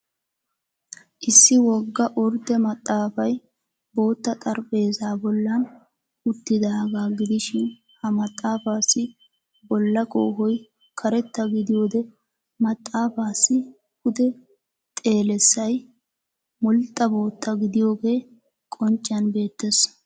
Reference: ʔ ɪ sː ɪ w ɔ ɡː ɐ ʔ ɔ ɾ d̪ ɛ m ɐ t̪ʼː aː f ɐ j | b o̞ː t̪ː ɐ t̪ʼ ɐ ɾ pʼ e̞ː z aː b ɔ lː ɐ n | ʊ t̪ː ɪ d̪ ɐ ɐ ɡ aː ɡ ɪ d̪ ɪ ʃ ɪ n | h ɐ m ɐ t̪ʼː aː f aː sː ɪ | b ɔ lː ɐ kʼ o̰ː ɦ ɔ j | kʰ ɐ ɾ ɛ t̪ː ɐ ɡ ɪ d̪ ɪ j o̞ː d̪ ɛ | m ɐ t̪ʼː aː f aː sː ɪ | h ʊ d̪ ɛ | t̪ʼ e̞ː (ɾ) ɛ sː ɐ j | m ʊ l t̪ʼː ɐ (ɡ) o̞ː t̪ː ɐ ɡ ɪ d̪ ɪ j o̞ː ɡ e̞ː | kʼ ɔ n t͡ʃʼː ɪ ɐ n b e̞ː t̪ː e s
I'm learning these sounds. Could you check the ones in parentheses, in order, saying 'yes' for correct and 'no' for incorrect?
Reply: no, no

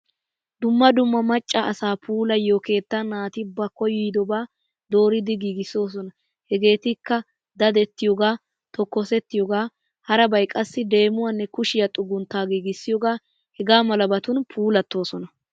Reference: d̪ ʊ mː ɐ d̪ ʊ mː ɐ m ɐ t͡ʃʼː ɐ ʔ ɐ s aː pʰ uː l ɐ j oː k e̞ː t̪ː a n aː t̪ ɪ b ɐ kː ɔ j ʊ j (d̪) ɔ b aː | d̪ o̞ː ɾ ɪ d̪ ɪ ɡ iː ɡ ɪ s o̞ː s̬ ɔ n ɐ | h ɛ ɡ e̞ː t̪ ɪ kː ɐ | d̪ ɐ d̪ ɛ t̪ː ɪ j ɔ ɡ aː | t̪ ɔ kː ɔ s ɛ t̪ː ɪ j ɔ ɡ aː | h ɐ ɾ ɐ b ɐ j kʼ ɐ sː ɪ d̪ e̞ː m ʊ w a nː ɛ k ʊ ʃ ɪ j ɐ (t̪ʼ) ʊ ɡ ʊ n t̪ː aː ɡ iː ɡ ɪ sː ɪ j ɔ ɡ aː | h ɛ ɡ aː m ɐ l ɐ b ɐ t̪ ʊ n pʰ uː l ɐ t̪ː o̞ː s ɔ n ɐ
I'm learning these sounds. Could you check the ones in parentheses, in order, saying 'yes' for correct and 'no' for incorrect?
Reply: yes, yes

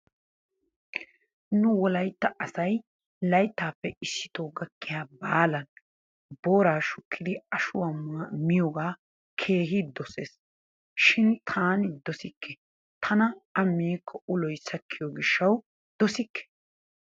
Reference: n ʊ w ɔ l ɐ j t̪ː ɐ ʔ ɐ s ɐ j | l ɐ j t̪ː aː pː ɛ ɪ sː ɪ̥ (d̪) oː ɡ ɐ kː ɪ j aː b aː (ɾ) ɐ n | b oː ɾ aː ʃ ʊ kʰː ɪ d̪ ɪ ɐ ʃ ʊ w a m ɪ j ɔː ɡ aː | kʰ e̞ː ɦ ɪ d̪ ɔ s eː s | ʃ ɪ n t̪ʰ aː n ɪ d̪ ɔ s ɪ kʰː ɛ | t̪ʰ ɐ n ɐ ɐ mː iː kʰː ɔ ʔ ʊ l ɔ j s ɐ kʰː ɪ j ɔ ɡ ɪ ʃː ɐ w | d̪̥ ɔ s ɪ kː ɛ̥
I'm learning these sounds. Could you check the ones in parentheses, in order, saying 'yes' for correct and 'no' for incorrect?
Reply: no, no

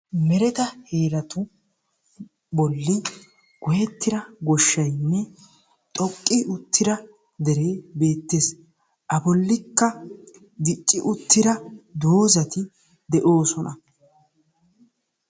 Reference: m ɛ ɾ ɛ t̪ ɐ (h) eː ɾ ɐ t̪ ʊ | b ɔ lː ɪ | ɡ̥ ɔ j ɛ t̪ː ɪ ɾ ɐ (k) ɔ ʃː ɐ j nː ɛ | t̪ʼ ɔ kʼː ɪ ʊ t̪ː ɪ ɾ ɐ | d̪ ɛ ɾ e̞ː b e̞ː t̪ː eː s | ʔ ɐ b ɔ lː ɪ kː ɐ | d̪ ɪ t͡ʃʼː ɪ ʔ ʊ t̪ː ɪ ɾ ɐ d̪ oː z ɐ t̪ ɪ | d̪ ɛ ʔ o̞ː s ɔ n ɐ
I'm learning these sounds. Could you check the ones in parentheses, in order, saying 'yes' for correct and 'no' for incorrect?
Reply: yes, no

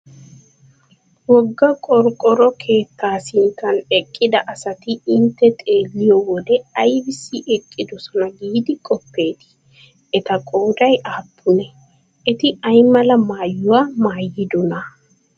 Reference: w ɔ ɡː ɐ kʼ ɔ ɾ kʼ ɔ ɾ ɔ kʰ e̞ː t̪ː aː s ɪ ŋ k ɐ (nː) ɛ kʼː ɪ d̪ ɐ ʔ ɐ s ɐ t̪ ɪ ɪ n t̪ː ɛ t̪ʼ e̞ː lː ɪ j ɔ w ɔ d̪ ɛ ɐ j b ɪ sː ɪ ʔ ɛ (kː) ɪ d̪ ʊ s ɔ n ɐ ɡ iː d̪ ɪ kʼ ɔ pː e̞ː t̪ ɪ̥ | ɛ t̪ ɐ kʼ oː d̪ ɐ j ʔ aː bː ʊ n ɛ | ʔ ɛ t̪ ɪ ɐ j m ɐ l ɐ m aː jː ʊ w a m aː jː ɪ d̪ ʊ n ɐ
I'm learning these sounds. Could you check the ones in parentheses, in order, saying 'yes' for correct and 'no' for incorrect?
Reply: no, no

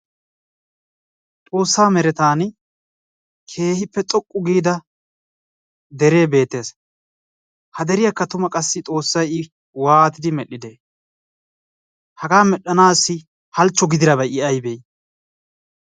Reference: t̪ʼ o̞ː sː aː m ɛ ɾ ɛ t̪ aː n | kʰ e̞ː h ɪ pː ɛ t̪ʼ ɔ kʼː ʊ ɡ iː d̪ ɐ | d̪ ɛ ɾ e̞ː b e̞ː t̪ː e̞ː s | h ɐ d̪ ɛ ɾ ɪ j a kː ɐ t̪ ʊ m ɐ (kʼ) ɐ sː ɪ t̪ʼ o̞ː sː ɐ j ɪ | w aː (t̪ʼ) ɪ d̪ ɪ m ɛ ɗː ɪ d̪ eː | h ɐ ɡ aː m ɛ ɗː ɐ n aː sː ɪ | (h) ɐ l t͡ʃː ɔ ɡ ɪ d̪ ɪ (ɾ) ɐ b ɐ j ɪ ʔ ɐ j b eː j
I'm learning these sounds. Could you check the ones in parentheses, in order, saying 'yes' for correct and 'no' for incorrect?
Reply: yes, no, yes, yes

